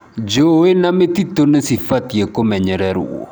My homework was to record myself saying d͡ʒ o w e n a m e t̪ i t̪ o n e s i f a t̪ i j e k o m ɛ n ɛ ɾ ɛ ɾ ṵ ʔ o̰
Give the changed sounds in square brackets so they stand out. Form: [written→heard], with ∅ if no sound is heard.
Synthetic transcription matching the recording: d͡ʒ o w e n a m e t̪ i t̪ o n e s i f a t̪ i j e k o m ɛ [n→ɲ] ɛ ɾ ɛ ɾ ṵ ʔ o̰